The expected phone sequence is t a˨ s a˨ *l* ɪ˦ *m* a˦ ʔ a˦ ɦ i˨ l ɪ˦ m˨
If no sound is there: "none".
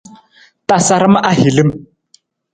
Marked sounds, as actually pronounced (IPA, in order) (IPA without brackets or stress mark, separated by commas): ɾ, m